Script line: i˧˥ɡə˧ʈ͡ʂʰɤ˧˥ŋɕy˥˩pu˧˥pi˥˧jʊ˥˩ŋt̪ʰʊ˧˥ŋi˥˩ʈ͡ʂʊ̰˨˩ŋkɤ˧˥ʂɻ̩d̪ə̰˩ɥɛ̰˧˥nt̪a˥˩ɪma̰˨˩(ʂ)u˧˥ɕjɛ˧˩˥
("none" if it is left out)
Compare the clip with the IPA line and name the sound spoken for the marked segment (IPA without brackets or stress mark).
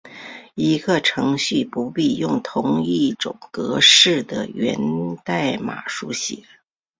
ʂ